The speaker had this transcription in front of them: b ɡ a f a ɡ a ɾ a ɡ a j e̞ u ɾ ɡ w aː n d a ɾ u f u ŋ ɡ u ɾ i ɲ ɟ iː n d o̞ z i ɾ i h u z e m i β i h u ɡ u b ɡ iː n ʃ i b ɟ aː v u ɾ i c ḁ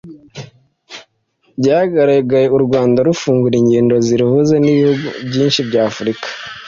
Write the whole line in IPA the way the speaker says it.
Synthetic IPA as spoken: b ɟ a h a ɡ a ɾ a ɡ a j e̞ u ɾ ɡ w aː n d a ɾ u f uː ŋ ɡ u ɾ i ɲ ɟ iː n d o̞ z i ɾ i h u z e n i β i h u ɡ u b ɟ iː n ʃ i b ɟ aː f u ɾ i k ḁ